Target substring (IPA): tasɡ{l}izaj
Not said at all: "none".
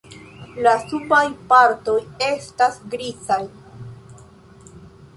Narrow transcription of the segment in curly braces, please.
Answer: ɾ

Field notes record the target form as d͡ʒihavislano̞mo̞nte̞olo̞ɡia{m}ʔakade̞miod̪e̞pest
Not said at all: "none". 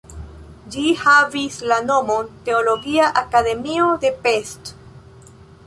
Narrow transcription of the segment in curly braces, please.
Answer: none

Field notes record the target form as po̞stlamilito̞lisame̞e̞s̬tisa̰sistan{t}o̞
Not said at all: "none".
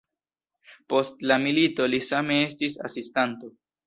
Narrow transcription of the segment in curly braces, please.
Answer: t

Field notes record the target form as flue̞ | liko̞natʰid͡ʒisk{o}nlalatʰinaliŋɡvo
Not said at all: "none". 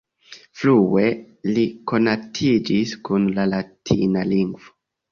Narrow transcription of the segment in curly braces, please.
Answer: u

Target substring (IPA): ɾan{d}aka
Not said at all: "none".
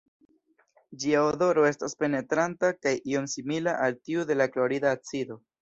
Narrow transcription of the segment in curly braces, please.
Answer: t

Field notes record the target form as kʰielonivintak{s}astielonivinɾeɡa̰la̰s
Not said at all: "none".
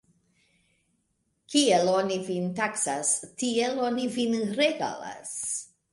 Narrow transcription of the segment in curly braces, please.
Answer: s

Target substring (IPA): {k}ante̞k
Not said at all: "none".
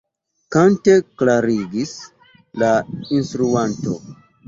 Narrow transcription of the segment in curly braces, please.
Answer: k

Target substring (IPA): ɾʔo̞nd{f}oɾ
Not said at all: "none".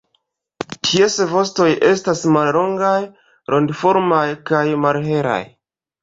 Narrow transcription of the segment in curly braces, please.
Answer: f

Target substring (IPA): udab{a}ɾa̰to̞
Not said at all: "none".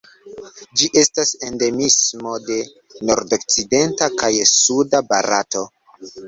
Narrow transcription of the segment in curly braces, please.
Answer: a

